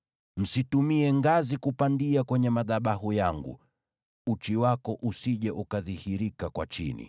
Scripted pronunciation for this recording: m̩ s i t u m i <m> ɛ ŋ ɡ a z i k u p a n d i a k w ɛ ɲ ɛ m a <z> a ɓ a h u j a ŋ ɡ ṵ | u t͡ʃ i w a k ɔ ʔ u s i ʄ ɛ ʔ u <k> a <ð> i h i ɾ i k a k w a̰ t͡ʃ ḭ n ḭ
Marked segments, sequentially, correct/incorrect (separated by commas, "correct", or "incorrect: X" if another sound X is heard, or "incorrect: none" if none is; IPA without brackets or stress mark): incorrect: none, incorrect: ð, correct, correct